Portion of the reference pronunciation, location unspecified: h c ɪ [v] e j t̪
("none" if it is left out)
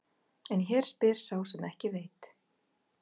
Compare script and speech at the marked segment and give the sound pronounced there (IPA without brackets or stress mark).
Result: v